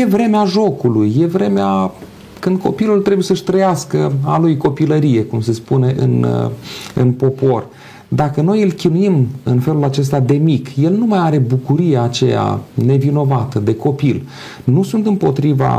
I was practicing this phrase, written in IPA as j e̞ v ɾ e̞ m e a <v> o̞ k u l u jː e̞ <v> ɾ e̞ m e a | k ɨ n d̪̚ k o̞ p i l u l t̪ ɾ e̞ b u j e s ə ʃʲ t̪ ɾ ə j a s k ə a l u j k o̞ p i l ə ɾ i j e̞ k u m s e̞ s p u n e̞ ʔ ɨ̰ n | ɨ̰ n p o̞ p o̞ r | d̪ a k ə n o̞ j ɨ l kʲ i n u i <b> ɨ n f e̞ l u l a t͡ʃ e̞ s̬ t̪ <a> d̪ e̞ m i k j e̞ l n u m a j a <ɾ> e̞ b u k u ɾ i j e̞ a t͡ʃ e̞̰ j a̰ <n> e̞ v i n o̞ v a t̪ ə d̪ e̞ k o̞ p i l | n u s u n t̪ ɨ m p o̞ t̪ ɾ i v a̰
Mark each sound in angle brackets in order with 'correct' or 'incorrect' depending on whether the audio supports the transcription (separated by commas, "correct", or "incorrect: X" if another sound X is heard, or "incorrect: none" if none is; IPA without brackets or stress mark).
incorrect: ʒ, correct, incorrect: m, correct, correct, correct